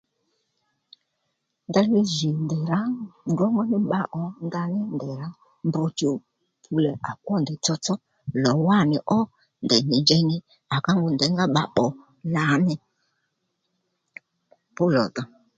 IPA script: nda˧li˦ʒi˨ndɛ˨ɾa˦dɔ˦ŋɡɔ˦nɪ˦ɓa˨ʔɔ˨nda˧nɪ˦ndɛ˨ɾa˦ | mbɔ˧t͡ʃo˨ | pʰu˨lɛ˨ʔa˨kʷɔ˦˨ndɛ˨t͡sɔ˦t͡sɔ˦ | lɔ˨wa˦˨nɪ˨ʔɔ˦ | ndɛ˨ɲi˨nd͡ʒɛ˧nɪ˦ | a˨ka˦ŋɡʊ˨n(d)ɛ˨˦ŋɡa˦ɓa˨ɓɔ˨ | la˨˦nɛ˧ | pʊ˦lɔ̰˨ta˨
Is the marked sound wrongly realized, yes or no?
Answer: no